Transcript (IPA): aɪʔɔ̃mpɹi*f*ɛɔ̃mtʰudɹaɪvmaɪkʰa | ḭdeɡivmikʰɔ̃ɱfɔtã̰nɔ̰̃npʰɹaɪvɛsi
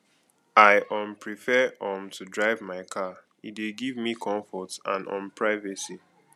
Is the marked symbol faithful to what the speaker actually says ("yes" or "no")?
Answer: yes